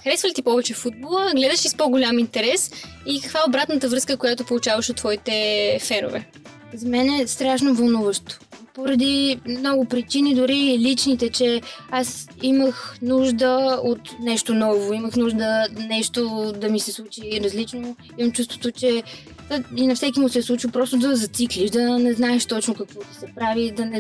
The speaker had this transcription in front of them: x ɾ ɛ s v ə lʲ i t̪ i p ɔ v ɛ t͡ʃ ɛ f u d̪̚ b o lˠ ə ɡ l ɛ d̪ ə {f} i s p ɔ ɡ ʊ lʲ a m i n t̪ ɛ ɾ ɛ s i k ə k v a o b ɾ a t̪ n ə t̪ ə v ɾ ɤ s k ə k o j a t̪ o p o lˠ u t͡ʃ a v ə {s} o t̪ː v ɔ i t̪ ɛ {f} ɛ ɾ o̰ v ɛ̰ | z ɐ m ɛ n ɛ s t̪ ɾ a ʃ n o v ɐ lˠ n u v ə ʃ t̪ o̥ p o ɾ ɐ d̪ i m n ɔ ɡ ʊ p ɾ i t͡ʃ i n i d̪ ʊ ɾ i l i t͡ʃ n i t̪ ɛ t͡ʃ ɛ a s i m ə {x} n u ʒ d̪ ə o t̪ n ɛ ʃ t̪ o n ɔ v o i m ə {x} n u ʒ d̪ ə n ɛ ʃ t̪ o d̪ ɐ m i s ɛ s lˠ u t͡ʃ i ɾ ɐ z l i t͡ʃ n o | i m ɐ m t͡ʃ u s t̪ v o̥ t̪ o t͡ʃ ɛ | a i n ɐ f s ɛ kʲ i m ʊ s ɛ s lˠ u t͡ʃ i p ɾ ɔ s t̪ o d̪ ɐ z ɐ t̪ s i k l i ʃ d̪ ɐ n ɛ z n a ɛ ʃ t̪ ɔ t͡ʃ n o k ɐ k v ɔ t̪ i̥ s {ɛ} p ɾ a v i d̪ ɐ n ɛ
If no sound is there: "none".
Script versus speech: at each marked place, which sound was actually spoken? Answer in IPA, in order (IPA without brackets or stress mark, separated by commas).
ʃ, ʃ, f, x, x, ɛ